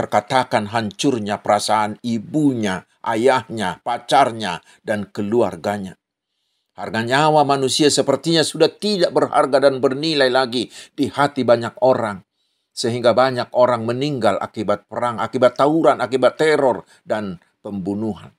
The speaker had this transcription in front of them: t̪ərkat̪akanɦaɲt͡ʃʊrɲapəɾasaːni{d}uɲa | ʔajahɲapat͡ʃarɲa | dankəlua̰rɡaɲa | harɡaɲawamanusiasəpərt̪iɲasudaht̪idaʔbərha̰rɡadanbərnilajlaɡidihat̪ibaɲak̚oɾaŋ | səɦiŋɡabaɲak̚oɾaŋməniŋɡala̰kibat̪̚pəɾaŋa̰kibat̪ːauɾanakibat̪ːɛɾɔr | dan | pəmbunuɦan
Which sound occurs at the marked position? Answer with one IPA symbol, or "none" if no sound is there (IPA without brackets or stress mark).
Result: b